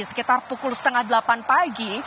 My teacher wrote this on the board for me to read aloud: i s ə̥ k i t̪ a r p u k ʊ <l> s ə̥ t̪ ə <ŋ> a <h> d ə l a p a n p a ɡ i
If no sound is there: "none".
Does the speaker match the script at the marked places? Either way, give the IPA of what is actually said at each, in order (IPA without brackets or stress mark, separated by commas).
l, ŋ, h